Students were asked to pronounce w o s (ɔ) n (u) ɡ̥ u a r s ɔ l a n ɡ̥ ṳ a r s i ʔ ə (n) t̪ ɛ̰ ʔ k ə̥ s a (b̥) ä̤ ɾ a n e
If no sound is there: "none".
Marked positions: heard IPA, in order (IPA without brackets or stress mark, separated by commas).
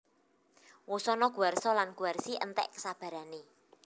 ɔ, ɔ, n, b̥